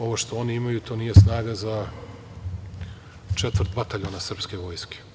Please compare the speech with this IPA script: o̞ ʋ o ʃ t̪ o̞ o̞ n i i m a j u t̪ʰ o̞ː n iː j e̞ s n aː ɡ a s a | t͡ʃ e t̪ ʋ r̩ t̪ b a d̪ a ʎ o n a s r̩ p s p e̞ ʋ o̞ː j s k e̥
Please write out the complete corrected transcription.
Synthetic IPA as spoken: o̞ ʋ o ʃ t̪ o̞ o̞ n i i m a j u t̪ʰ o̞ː n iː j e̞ s n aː ɡ a z a | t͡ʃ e t̪ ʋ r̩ t̪ b a t̪ a ʎ o n a s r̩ p s k e̞ ʋ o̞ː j s k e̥